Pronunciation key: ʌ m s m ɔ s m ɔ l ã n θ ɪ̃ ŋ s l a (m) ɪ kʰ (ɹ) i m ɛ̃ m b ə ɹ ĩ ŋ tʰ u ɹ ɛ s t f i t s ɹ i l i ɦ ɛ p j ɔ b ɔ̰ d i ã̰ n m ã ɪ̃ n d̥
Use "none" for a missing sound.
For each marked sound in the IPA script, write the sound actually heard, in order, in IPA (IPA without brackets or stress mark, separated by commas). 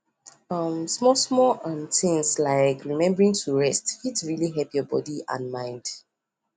none, ɹ